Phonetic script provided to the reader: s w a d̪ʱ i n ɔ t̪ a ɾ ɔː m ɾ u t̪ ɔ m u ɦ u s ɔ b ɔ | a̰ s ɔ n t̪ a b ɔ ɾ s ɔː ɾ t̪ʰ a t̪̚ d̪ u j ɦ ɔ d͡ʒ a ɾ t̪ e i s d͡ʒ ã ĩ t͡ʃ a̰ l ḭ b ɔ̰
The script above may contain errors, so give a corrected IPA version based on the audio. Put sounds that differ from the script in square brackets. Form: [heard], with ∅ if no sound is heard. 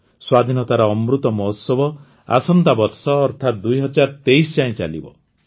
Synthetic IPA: s w a d̪ʱ i n ɔ t̪ a ɾ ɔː m ɾ u t̪ ɔ m [ɔ] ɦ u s ɔ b ɔ | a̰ s ɔ n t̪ a b ɔ ɾ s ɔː ɾ t̪ʰ a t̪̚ d̪ u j ɦ ɔ d͡ʒ a ɾ t̪ e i s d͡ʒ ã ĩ t͡ʃ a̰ l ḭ b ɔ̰